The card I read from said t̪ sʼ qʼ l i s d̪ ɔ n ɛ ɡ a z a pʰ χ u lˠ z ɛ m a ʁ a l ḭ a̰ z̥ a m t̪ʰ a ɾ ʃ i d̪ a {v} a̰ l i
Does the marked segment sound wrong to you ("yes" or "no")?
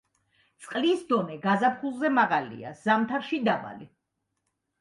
yes